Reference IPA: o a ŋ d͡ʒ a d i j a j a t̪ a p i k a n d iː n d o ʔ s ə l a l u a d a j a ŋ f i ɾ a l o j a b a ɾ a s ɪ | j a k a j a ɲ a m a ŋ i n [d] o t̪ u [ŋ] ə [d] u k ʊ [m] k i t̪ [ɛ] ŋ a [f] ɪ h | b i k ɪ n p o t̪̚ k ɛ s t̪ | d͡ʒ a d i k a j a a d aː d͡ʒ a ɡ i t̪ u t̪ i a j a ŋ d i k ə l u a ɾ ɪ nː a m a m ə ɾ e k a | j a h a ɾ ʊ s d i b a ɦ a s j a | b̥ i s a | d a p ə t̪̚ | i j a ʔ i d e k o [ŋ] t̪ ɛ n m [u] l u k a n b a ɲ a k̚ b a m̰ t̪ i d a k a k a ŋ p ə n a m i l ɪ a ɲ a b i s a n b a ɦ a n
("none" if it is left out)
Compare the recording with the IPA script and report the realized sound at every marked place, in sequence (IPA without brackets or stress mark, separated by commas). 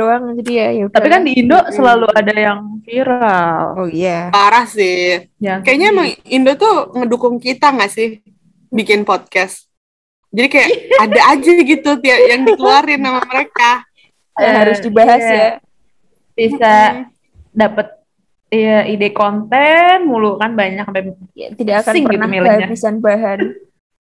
d, ŋ, d, ŋ, a, s, n, u